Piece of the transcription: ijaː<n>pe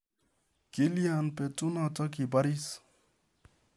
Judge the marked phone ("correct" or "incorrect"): correct